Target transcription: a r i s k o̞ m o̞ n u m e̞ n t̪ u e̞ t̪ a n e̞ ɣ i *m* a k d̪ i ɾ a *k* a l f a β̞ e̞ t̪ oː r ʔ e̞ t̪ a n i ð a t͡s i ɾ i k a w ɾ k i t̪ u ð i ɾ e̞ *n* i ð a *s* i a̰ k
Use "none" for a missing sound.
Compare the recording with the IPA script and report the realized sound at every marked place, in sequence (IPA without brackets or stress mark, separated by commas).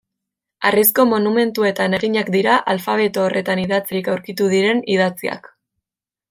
ɲ, ʔ, n, t͡s